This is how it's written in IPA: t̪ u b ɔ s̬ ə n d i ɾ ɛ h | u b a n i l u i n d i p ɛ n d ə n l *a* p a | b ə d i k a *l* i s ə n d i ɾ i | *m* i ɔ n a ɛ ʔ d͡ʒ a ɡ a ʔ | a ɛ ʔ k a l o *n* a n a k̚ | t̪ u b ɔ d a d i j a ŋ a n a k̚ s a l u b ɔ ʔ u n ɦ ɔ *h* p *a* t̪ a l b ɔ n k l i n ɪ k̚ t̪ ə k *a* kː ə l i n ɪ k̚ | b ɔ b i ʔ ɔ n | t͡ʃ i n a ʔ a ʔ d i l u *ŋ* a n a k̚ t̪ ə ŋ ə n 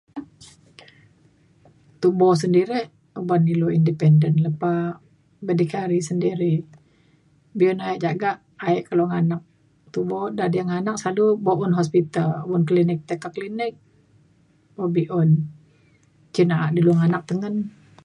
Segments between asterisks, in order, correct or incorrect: incorrect: ə, incorrect: ɾ, incorrect: b, incorrect: ŋ, incorrect: s, incorrect: i, correct, correct

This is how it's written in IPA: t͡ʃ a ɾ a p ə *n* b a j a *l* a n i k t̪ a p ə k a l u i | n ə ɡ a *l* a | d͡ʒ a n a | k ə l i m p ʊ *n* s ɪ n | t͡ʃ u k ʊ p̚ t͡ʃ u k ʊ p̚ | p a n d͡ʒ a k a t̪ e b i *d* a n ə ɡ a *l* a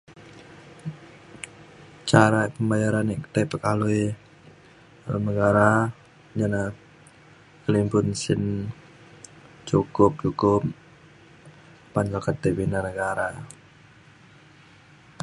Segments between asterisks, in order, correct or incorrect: incorrect: m, incorrect: ɾ, incorrect: ɾ, correct, incorrect: n, incorrect: ɾ

